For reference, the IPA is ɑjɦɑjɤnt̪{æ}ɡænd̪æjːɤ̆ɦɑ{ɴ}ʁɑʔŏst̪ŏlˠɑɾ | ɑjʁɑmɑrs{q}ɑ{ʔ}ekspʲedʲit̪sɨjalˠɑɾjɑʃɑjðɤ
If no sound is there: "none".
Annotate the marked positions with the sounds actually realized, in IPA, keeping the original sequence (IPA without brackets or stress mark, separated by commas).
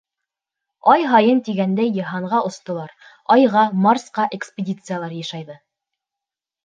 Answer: i, ɴ, q, ʔ